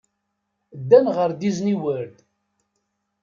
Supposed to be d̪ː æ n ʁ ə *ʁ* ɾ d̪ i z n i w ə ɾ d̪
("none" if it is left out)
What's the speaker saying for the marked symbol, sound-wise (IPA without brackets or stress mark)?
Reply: none